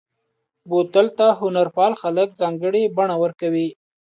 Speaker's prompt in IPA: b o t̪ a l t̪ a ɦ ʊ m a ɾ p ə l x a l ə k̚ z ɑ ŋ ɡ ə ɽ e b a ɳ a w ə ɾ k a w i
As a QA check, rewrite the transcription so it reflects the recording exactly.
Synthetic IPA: b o t̪ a l t̪ a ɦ ʊ n a ɾ p ɑ l x a l ə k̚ z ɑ ŋ ɡ ə ɽ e b a ɳ a w ə ɾ k a w i